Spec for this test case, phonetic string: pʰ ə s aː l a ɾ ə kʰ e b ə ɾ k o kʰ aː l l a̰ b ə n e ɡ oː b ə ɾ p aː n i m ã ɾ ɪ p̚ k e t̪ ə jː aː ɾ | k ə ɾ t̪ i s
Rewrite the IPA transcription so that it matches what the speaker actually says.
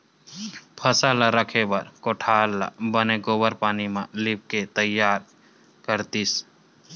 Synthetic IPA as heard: pʰ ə s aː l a ɾ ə kʰ e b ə ɾ k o ʈʰ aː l l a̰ b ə n e ɡ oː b ə ɾ p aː n i m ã l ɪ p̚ k e t̪ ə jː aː ɾ | k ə ɾ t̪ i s